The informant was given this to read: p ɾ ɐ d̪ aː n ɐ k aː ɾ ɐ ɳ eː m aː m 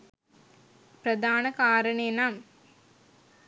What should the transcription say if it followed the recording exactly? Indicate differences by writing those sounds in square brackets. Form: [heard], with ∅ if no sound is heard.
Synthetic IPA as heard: p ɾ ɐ d̪ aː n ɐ k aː ɾ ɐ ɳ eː [n] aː m

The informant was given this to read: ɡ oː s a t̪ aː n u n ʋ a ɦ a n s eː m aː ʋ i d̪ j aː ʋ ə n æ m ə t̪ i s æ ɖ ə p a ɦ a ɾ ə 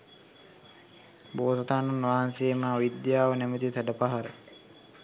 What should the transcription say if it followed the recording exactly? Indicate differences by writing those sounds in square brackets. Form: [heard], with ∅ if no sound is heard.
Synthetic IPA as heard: [b] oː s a t̪ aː n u n ʋ a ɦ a n s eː m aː ʋ i d̪ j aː ʋ ə n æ m ə t̪ i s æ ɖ ə p a ɦ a ɾ ə

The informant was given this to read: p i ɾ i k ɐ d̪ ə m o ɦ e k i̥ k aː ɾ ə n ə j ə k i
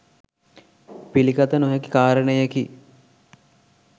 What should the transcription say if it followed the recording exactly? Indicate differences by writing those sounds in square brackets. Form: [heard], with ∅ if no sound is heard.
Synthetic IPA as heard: p i [l] i k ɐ [t̪] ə [n] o ɦ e k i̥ k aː ɾ ə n ə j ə k i

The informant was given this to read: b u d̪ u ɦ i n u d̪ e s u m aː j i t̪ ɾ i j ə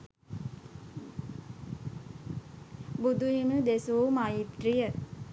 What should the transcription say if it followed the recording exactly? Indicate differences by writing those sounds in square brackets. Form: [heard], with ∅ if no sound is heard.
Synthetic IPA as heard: b u d̪ u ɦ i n u d̪ e s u m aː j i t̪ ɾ i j ə

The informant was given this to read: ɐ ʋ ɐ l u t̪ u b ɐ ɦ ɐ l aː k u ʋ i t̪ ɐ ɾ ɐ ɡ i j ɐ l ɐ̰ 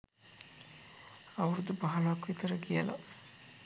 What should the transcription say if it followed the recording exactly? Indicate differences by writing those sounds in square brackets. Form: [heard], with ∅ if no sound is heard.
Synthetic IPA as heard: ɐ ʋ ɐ [ɾ] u [d̪] u b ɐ ɦ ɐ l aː k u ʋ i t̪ ɐ ɾ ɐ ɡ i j ɐ l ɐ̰

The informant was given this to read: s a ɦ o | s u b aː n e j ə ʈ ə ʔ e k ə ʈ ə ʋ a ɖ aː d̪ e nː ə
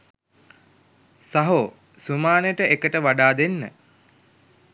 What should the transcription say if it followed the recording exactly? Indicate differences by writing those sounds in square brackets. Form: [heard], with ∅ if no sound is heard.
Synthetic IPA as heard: s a ɦ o | s u [m] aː n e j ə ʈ ə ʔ e k ə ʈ ə ʋ a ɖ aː d̪ e nː ə

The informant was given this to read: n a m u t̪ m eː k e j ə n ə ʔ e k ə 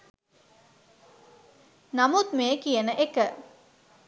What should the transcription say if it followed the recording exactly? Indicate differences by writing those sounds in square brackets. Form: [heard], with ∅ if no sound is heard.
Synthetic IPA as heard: n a m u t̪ m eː k [i] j ə n ə ʔ e k ə

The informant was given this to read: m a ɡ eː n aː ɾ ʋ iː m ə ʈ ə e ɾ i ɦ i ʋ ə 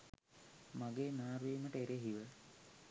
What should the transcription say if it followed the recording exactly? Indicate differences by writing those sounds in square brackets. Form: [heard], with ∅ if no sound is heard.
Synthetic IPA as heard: m a ɡ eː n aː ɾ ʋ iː m ə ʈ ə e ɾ [e] ɦ i ʋ ə

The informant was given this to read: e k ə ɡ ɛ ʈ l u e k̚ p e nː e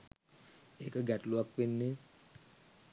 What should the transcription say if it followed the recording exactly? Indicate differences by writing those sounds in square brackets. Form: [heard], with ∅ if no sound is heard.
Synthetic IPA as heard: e k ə ɡ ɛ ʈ l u [a] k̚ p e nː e

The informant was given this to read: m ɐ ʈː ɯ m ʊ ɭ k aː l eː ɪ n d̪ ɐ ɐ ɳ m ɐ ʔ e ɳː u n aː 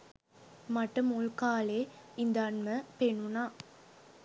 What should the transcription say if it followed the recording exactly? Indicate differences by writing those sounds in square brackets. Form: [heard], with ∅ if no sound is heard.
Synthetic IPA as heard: m ɐ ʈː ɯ m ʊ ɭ k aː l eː ɪ n d̪ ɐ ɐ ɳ m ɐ [p] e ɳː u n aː

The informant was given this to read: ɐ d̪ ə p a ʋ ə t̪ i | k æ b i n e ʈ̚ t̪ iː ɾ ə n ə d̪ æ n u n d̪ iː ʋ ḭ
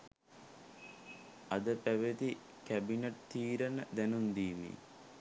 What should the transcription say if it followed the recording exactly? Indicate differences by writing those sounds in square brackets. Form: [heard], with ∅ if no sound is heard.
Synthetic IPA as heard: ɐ d̪ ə p [æ] ʋ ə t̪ i | k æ b i n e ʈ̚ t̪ iː ɾ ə n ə d̪ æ n u n d̪ iː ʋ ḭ

